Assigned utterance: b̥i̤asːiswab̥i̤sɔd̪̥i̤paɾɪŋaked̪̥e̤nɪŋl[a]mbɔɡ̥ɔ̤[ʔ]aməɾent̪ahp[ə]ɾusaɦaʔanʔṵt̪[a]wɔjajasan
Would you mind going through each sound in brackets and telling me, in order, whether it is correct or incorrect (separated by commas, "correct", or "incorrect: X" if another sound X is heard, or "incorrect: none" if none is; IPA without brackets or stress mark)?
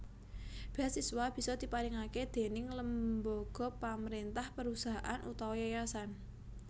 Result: incorrect: ə, incorrect: p, correct, correct